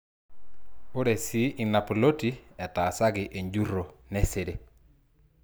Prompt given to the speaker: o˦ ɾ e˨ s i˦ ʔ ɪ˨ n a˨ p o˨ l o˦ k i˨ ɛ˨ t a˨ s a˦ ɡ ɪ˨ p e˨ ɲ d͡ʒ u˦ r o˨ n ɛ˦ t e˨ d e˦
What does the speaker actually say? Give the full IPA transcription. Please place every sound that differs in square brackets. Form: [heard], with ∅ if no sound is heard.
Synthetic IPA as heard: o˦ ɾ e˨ s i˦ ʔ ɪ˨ n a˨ p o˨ l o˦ [t] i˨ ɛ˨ t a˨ s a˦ ɡ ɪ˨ [ʔ] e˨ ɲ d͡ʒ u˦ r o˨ n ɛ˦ [s] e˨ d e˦

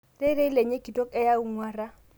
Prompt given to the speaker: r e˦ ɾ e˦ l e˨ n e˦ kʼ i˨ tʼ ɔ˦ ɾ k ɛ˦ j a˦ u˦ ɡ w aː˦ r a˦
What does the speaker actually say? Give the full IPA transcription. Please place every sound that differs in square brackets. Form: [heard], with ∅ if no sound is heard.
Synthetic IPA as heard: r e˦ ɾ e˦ l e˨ [ɲ] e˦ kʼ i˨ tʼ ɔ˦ [∅] k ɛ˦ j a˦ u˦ [ŋ] w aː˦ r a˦

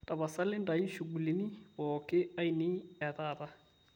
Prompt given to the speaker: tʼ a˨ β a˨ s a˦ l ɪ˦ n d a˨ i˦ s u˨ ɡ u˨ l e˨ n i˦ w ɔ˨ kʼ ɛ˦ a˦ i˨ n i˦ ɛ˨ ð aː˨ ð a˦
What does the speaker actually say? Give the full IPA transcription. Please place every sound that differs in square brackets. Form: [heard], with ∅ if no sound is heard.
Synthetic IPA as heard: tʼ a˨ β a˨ s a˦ l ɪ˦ n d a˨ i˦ [ʃ] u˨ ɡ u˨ l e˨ n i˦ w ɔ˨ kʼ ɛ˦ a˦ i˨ n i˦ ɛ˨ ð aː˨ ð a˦

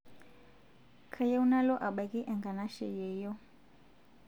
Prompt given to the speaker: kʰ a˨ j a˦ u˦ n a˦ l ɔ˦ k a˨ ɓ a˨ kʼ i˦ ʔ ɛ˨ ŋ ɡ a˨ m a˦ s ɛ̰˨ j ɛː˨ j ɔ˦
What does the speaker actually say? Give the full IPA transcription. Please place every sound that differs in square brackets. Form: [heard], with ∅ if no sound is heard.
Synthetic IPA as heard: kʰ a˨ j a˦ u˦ n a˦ l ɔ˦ [ʔ] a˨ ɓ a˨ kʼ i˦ ʔ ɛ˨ ŋ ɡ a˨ [n] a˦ [ʃ] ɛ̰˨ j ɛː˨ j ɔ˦

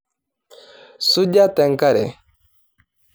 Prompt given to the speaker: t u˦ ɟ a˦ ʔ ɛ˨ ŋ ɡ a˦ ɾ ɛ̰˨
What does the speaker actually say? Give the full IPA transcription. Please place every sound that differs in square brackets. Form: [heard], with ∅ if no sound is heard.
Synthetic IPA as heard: [s] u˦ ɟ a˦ [t] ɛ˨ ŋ [k] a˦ ɾ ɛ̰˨

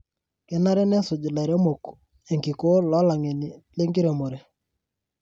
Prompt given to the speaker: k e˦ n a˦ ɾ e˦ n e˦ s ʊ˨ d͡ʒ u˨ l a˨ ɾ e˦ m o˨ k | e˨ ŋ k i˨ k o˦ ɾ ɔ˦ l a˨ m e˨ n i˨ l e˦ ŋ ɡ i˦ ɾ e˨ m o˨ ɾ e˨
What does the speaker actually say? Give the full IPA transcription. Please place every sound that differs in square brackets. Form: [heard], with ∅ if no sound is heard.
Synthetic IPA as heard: k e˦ n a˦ ɾ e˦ n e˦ s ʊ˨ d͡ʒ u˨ l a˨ ɾ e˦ m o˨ k | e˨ ŋ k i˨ k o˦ [l] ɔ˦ l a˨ [ŋ] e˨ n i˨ l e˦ ŋ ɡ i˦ ɾ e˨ m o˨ ɾ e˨

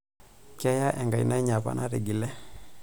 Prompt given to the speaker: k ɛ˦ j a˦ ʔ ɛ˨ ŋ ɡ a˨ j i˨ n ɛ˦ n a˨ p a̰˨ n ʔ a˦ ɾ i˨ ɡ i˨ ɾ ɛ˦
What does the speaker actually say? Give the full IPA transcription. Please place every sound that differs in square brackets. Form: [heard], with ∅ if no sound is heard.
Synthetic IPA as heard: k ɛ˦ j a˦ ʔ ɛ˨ ŋ ɡ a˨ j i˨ n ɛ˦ [ɲ] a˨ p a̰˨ n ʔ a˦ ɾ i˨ ɡ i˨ [l] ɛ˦

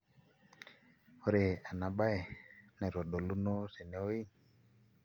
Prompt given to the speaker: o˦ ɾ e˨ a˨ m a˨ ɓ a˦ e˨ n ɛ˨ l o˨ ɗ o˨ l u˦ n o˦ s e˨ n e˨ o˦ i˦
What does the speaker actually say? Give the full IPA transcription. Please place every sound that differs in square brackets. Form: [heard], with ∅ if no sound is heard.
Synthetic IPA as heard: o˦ ɾ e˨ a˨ [n] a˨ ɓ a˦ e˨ n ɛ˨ [ɾ] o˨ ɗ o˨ l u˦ n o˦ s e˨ n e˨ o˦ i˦

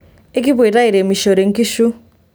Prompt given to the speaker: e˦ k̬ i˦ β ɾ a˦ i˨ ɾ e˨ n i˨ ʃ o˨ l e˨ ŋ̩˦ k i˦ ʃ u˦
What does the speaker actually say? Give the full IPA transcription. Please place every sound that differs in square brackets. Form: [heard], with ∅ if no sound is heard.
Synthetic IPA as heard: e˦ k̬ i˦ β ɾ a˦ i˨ ɾ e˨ [m] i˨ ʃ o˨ [ɾ] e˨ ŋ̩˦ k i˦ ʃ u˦

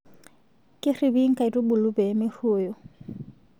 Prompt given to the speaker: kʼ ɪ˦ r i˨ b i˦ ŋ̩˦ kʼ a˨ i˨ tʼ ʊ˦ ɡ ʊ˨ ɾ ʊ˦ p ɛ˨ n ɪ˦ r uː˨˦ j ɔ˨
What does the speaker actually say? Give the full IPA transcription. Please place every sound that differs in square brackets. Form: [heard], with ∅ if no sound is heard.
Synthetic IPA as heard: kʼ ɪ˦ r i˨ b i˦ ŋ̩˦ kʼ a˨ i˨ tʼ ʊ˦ [b] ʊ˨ [l] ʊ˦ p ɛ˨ [m] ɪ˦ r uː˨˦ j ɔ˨

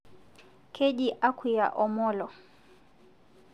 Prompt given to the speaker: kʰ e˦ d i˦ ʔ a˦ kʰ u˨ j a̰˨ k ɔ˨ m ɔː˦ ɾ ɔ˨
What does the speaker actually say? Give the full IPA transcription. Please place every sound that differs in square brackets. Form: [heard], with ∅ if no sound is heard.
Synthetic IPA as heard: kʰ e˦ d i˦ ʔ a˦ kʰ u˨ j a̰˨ [ʔ] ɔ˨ m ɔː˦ [l] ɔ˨

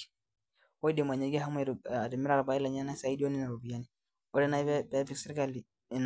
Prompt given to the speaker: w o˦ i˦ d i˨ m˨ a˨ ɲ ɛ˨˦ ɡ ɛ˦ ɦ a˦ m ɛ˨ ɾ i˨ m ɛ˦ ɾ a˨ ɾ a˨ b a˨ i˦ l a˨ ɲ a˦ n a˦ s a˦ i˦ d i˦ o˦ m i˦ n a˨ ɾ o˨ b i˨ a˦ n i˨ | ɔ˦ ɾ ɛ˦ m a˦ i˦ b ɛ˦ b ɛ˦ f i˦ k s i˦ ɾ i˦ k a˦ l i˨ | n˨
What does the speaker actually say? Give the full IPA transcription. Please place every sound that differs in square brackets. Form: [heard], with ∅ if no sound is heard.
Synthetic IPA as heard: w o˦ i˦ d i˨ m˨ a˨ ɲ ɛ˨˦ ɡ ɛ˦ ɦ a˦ m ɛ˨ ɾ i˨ m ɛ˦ ɾ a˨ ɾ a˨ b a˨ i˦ l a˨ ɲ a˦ n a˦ s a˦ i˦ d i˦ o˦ [n] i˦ n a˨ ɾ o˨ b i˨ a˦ n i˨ | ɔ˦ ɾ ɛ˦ [n] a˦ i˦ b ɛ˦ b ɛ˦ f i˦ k s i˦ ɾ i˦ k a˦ l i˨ | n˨

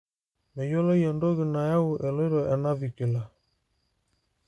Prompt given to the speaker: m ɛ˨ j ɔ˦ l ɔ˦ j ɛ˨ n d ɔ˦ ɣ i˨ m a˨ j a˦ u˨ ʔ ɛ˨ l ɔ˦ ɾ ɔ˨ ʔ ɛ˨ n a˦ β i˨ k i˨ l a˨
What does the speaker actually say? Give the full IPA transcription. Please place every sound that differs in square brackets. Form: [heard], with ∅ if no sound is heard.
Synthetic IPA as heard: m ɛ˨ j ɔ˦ l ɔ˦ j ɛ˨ n d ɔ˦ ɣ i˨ [n] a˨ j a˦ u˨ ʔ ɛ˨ l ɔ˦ ɾ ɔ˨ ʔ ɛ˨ n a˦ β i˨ k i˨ l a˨

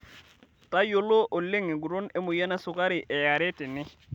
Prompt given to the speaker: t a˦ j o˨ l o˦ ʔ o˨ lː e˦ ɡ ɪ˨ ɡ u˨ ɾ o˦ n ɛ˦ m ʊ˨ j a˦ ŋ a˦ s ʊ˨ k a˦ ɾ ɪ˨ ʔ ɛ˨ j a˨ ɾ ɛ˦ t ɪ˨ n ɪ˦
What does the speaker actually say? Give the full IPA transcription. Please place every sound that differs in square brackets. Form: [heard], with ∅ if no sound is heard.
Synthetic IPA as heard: t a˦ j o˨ l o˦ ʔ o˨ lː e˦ [ŋ] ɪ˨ ɡ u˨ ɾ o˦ n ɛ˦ m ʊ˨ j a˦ [n] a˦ s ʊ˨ k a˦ ɾ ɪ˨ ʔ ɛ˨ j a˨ ɾ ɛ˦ t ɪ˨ n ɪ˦

